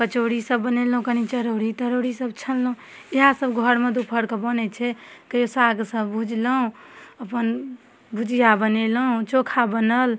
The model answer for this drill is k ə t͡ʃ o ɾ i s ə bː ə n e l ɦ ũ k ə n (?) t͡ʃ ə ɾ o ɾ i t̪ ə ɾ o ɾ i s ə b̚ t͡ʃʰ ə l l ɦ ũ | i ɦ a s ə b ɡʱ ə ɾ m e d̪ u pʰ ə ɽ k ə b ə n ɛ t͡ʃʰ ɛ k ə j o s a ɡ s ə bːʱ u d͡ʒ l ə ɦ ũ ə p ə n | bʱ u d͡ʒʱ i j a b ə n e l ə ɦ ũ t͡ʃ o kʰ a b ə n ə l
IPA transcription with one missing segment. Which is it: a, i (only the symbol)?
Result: i